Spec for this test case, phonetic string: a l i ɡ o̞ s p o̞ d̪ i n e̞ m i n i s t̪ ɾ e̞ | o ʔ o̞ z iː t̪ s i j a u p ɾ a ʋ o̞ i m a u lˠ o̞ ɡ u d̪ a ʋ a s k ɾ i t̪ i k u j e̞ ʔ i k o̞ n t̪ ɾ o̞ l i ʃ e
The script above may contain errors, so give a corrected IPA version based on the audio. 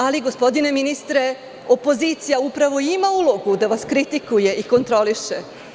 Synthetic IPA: a l i ɡ o̞ s p o̞ d̪ i n e̞ m i n i s t̪ ɾ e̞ | o p o̞ z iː t̪ s i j a u p ɾ a ʋ o̞ i m a u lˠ o̞ ɡ u d̪ a ʋ a s k ɾ i t̪ i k u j e̞ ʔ i k o̞ n t̪ ɾ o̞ l i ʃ e